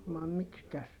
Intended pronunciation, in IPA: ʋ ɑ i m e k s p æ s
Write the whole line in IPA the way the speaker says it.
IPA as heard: ʋ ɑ i m i k s k æ s